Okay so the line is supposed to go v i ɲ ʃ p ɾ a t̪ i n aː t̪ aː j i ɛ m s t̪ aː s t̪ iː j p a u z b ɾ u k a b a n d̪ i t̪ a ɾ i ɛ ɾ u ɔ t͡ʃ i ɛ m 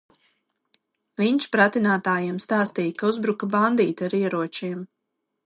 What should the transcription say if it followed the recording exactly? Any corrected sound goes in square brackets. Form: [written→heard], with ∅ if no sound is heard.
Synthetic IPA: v i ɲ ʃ p ɾ a t̪ i n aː t̪ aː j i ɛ m s t̪ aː s t̪ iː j [p→k] a u z b ɾ u k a b a n d̪ [i→iː] t̪ a ɾ i ɛ ɾ u ɔ t͡ʃ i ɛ m

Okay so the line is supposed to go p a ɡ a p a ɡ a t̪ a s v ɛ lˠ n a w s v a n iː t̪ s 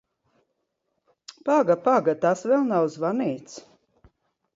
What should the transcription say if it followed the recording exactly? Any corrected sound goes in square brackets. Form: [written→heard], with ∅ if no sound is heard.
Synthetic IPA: p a ɡ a p a ɡ a t̪ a s v ɛ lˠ n a w [s→z] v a n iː t̪ s

